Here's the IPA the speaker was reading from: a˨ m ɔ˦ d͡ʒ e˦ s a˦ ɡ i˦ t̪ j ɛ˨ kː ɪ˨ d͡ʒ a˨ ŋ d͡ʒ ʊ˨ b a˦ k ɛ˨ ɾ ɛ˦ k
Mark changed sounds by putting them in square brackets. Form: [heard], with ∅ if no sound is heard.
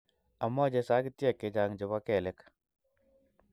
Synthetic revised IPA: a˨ m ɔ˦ d͡ʒ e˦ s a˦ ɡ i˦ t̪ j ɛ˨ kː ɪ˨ d͡ʒ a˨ ŋ d͡ʒ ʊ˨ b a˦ k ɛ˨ [l] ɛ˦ k